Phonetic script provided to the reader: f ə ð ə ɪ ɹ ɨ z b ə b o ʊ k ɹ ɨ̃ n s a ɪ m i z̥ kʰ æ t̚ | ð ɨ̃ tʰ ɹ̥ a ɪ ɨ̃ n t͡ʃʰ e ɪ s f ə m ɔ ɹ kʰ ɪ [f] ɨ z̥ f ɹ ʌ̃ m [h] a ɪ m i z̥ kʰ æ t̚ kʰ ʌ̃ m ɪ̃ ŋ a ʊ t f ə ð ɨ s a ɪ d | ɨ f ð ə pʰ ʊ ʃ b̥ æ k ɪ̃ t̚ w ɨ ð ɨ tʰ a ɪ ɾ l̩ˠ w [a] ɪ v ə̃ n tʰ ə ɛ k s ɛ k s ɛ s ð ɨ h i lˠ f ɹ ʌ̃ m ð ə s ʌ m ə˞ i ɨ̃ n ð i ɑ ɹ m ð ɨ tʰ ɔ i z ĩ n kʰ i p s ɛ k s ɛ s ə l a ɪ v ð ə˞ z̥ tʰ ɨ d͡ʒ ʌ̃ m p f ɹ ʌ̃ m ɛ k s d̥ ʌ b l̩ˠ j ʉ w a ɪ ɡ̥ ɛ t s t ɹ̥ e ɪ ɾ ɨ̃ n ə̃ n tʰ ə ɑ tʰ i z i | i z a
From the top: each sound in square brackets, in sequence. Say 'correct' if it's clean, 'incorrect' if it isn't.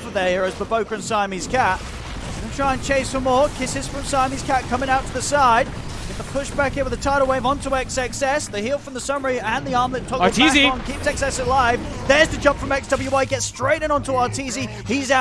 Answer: incorrect: s, incorrect: s, incorrect: e

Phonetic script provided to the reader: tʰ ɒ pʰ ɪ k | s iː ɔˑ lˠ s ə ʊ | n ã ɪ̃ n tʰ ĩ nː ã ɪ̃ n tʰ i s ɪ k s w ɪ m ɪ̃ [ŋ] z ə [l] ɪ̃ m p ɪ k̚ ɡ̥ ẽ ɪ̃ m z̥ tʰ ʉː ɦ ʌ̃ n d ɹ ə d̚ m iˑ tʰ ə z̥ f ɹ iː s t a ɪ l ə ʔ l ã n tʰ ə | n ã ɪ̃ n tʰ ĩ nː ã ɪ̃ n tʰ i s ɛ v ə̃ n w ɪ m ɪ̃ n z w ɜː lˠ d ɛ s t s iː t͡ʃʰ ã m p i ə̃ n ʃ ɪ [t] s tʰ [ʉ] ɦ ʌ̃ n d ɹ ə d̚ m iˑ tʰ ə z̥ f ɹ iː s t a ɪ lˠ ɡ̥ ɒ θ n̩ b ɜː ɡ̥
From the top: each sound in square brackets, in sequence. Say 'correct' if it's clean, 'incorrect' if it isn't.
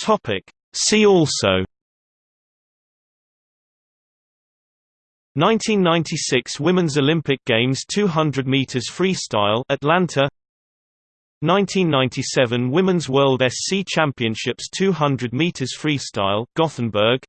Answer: incorrect: n, correct, incorrect: p, incorrect: ʉː

